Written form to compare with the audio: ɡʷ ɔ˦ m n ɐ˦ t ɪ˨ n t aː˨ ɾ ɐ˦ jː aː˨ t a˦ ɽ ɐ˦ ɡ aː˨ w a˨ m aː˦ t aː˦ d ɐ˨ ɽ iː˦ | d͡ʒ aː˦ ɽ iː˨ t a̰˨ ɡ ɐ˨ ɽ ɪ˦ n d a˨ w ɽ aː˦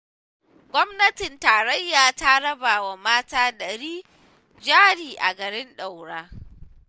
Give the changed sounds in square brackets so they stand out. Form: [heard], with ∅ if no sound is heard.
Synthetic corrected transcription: ɡʷ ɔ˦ m n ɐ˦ t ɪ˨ n t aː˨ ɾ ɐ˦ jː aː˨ t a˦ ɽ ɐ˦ [b] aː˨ w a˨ m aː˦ t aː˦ d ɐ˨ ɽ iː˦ | d͡ʒ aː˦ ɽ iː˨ [ʔ] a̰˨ ɡ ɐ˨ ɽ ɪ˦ n [ɗ] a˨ w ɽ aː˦

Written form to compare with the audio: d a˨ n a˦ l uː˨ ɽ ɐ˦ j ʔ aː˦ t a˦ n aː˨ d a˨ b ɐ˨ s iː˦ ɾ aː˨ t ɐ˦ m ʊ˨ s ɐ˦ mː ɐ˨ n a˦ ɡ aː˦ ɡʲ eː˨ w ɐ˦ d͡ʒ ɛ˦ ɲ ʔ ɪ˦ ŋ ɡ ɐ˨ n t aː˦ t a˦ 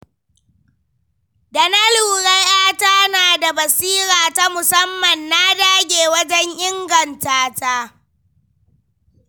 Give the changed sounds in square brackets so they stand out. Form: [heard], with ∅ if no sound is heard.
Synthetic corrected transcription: d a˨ n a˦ l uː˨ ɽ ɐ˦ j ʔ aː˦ t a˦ n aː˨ d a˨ b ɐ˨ s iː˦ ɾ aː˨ t [a˦] m ʊ˨ s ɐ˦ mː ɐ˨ [nː] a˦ [d] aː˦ ɡʲ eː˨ w ɐ˦ d͡ʒ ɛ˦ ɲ ʔ ɪ˦ ŋ ɡ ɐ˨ n t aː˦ t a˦

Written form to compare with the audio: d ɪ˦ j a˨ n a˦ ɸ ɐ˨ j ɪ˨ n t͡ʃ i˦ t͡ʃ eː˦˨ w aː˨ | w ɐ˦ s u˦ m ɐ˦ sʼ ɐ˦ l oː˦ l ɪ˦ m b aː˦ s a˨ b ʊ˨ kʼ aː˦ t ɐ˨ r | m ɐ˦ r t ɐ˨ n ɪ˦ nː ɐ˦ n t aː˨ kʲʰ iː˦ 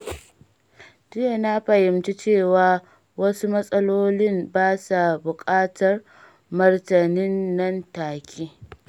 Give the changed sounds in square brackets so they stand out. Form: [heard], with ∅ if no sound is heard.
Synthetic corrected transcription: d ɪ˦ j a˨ n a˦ ɸ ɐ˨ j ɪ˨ [m] t͡ʃ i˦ t͡ʃ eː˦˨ w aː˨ | w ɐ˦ s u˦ m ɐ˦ sʼ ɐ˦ l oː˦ l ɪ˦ m b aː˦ s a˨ b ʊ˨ kʼ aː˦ t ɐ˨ r | m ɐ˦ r t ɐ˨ n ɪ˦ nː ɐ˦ n t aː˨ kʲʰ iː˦

